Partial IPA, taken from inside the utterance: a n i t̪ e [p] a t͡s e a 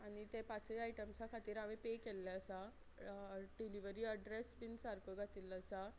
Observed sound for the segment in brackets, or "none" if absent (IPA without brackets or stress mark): p